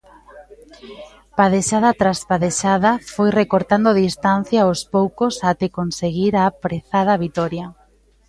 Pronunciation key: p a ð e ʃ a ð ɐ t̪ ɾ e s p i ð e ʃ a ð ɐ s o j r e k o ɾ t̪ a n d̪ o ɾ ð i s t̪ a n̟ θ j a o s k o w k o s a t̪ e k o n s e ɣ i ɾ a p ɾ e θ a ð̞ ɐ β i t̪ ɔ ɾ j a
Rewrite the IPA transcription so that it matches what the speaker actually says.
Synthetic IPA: p a ð e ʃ a ð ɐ t̪ ɾ a s p a ð e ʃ a ð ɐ f o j r e k o ɾ t̪ a n d̪ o ð i s t̪ a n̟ θ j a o s p o w k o s a t̪ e k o n s e ɣ i ɾ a p ɾ e θ a ð̞ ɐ β i t̪ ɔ ɾ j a